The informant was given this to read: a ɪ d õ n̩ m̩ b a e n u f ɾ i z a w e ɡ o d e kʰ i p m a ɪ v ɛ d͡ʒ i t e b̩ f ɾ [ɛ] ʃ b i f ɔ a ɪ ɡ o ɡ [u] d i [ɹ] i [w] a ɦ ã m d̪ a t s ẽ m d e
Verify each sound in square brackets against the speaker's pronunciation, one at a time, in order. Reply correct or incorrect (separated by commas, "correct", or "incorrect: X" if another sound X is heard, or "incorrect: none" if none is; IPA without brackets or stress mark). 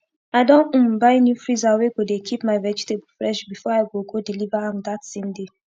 correct, incorrect: o, incorrect: l, incorrect: v